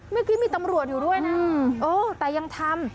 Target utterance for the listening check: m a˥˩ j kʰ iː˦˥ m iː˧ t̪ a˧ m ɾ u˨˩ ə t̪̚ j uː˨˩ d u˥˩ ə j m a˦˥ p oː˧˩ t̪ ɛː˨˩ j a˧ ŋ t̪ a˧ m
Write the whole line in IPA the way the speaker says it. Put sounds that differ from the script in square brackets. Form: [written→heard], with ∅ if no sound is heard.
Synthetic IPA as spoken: m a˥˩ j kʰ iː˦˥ m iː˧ t̪ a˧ m ɾ u˨˩ ə t̪̚ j uː˨˩ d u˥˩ ə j [m→n] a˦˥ [p→ʔ] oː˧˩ t̪ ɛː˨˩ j a˧ ŋ [t̪→t̪ʰ] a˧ m